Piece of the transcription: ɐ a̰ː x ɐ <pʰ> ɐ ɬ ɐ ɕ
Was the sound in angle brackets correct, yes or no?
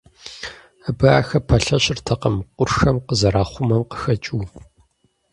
yes